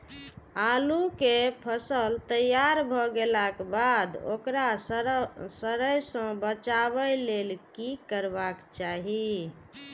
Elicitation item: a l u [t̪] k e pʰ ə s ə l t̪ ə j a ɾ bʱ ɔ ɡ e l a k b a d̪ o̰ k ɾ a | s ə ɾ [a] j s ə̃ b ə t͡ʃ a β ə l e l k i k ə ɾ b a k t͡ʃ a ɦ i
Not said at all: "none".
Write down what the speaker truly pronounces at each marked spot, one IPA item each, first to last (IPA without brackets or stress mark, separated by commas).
none, ə